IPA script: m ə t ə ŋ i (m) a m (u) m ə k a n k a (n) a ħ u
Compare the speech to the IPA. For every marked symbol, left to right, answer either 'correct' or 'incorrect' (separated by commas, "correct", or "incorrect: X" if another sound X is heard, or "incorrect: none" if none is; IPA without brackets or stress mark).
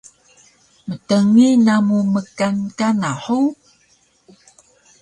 incorrect: n, correct, correct